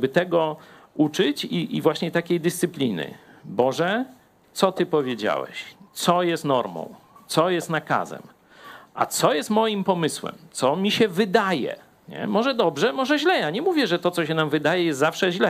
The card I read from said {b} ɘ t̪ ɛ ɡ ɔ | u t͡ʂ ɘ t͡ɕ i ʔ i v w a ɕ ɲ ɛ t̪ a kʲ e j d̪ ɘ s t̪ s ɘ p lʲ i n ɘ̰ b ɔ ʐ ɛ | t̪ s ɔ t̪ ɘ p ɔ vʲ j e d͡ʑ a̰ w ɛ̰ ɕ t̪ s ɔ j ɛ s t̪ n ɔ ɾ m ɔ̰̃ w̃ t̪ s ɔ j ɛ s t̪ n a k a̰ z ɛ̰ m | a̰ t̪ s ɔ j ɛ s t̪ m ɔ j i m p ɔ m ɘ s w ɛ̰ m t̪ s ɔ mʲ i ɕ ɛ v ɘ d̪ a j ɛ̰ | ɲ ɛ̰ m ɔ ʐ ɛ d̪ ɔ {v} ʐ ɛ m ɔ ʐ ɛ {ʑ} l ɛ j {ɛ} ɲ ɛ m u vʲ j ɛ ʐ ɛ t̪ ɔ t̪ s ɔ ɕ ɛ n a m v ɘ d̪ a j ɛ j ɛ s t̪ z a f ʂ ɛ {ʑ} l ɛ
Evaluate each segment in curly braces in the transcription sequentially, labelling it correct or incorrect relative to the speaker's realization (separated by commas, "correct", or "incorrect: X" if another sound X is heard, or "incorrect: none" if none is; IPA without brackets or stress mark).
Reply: correct, incorrect: b, correct, incorrect: a, correct